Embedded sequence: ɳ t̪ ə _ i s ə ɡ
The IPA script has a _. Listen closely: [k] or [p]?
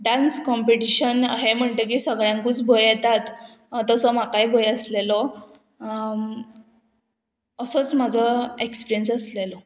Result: k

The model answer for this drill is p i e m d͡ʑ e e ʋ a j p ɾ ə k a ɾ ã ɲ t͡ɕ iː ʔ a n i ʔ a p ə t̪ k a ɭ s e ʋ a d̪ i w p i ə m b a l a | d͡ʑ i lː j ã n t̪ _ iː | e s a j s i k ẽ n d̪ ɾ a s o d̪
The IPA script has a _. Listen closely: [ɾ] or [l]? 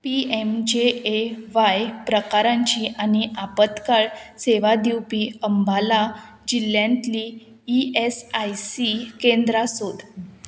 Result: l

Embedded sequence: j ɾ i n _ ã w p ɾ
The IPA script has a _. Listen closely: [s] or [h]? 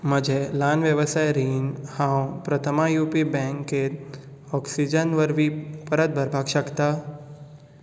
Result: h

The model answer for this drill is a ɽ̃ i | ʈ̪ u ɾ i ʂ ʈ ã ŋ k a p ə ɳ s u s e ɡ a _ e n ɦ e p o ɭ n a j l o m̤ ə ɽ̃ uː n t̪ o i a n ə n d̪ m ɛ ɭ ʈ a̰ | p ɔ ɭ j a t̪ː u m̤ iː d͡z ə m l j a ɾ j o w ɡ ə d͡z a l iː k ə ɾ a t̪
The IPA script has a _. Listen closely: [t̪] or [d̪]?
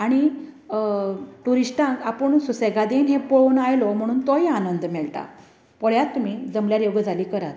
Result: d̪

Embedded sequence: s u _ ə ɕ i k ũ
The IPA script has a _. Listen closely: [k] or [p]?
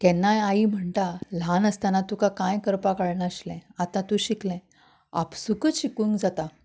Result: k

